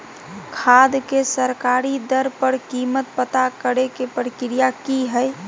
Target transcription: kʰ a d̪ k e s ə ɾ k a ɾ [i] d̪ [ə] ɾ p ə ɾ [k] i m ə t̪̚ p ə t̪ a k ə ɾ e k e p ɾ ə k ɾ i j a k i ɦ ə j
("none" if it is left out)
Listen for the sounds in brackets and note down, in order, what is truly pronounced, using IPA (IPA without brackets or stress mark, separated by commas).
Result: i, ə, k